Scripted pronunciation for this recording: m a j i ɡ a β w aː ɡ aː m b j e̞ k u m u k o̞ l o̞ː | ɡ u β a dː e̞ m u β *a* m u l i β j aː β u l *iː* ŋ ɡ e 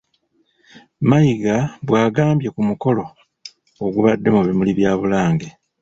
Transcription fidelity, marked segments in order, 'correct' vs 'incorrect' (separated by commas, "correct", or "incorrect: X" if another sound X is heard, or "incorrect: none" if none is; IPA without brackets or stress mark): incorrect: i, incorrect: aː